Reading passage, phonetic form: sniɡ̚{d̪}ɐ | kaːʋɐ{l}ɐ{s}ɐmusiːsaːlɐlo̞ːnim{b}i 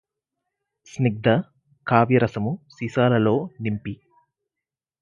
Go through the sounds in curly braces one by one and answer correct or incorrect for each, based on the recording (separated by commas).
correct, incorrect, correct, incorrect